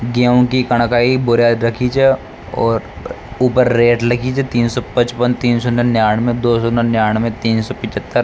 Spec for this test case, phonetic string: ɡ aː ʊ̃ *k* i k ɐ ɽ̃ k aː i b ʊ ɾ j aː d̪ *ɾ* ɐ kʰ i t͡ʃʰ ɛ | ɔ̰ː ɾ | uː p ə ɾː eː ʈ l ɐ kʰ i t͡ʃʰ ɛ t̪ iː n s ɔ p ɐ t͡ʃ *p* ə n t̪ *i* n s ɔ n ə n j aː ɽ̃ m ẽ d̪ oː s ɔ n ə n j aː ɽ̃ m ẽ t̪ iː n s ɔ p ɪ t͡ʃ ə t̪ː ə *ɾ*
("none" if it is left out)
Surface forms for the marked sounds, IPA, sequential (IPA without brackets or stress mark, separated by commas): k, ɾ, p, iː, ɾ